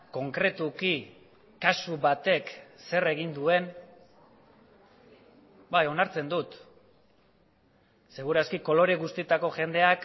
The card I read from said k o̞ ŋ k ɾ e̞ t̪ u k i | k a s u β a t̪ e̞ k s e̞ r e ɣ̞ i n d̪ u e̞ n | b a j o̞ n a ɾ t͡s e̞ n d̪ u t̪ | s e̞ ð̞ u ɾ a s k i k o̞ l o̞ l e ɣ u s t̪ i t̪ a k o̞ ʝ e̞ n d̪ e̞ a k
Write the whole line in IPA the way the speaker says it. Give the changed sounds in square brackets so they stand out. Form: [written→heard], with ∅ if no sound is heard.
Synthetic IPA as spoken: k o̞ ŋ k ɾ e̞ t̪ u k i | k a s u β a t̪ e̞ k s e̞ r e ɣ̞ i n d̪ u e̞ n | b a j o̞ n a ɾ t͡s e̞ n d̪ u t̪ | s e̞ [ð̞→ɣ̞] u ɾ a s k i k o̞ l o̞ [l→ɾ] e ɣ u s t̪ i t̪ a k o̞ ʝ e̞ n d̪ e̞ a k